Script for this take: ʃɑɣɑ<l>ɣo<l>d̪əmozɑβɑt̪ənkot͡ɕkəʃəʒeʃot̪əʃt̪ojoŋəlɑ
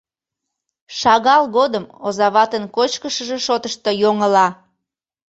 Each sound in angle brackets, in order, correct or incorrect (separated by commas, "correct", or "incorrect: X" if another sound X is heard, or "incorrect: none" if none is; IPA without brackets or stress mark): correct, incorrect: none